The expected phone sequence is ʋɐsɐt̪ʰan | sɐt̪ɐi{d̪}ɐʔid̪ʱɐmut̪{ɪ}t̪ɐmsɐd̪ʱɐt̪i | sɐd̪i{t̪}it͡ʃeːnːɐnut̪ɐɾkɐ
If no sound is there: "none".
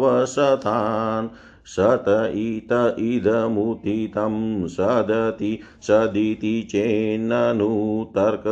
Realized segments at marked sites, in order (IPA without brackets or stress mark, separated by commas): t̪, i, t̪